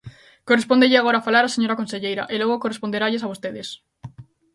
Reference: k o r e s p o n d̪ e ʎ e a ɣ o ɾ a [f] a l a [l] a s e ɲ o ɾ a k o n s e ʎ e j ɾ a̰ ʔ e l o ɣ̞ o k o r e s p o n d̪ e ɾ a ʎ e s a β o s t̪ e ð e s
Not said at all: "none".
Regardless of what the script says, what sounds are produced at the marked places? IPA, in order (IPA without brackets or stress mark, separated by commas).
f, ɾ